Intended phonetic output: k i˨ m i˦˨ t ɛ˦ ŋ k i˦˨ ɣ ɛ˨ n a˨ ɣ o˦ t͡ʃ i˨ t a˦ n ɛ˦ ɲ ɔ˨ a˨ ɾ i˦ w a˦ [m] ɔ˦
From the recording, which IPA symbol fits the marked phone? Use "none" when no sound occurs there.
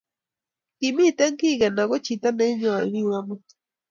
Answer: m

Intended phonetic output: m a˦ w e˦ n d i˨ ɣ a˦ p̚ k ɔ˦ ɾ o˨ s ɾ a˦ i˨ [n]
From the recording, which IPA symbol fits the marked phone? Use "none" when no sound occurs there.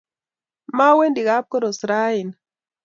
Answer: n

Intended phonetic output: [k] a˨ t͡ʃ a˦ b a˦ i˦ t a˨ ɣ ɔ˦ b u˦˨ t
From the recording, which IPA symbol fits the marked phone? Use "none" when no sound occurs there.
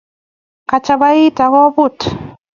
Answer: k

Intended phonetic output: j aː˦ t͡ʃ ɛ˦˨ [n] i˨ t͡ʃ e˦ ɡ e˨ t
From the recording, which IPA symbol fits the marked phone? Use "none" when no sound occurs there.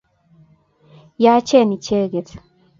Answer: n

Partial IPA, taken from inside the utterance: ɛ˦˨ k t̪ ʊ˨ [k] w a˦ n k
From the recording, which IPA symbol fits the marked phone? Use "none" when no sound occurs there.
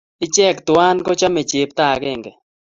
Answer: none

